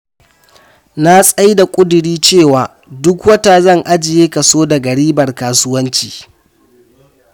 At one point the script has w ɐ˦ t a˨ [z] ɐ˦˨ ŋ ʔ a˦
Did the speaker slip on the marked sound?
no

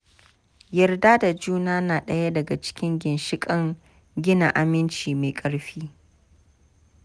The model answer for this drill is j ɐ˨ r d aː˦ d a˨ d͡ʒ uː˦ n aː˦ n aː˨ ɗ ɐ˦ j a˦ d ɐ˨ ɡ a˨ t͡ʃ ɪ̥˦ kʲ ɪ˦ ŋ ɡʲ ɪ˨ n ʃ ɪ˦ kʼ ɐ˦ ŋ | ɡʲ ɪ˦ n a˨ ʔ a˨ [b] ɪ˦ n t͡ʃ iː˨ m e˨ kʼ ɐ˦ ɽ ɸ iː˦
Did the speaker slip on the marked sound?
yes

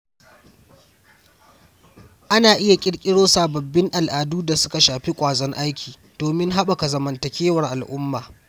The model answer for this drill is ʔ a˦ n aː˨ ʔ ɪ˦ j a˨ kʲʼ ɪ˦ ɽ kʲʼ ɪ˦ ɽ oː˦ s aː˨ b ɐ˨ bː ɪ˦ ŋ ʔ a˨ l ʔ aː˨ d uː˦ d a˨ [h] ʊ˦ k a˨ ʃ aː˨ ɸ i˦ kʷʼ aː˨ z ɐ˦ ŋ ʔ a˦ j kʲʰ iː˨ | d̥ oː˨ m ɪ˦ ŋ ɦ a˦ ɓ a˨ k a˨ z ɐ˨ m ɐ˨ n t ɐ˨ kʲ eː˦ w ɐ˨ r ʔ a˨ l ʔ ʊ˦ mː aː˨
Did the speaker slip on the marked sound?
yes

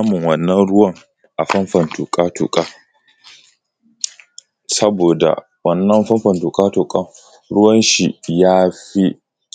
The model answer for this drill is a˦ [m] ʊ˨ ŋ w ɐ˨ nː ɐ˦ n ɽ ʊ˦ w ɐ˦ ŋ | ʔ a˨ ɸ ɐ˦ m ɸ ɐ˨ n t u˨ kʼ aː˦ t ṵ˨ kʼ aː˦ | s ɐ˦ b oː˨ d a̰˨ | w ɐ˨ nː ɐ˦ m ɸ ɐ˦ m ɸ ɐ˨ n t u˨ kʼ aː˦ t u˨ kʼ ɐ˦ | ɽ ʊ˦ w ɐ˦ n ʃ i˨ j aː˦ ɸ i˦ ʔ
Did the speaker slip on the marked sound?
no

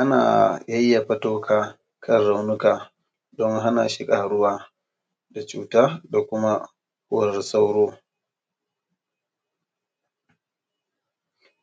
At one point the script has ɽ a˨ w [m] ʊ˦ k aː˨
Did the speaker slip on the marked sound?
yes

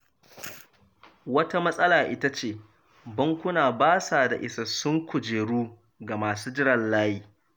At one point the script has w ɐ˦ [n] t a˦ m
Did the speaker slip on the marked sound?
yes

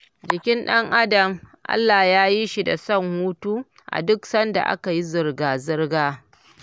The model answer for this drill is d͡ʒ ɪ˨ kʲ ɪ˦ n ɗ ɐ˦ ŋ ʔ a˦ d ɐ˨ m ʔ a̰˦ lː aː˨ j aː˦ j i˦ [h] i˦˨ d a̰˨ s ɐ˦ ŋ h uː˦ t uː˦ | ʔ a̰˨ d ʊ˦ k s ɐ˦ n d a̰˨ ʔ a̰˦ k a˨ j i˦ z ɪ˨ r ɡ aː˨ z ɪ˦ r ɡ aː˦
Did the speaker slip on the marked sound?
yes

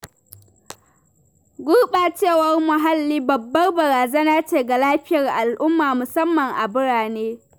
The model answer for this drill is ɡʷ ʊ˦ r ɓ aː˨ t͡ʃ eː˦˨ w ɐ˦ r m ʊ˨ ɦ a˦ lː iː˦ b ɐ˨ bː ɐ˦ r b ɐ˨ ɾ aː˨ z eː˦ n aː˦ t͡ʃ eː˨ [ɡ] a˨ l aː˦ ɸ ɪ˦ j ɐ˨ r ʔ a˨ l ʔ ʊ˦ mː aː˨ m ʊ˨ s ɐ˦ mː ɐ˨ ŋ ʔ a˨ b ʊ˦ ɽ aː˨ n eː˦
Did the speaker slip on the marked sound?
no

